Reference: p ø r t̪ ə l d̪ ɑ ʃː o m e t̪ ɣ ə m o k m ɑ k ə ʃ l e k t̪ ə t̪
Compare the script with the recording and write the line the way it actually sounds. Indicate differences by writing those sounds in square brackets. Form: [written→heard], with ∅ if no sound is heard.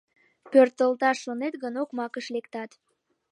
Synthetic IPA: p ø r t̪ ə l [d̪→t̪] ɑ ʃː o [m→n] e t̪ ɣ ə [m→n] o k m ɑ k ə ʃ l e k t̪ [ə→ɑ] t̪